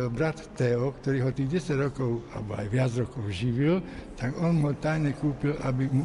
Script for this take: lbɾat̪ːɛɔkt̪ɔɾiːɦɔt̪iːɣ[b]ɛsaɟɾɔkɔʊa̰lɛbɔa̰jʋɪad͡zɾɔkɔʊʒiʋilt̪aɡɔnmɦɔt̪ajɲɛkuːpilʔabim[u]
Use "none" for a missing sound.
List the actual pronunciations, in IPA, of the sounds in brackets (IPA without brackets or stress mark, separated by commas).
ɟ, u